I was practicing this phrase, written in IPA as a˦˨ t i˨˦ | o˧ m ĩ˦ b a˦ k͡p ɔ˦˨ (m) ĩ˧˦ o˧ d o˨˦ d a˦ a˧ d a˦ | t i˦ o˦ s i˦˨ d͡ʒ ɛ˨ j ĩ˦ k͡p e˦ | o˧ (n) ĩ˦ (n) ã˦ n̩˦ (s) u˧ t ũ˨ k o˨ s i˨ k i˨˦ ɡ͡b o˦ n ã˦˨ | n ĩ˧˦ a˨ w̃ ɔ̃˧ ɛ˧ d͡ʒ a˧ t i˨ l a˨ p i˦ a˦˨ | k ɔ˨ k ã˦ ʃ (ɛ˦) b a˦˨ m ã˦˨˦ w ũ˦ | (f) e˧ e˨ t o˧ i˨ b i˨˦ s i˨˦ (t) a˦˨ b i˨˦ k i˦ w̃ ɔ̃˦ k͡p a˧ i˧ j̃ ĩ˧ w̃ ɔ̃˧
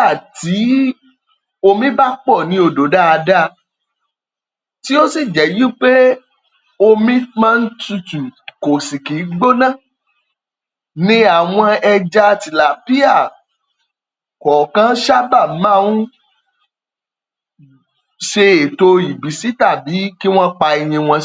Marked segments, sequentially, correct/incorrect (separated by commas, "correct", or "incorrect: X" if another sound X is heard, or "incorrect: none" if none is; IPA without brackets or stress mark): incorrect: n, incorrect: m, incorrect: m, incorrect: t, incorrect: a˦, incorrect: ʃ, correct